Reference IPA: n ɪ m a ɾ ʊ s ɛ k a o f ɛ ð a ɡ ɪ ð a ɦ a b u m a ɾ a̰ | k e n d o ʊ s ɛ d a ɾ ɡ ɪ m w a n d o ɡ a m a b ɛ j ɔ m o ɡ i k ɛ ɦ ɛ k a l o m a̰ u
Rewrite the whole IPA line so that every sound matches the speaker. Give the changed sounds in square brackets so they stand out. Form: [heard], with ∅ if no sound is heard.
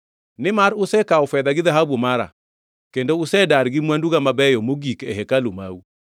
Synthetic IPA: n ɪ m a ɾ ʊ s ɛ k a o f ɛ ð a ɡ ɪ ð a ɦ a b u m a ɾ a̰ | k e n d o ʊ s ɛ d a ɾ ɡ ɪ m w a n d [u] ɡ a m a b ɛ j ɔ m o ɡ i k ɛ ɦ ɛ k a l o m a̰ u